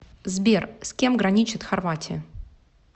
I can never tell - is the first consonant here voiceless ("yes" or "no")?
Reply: no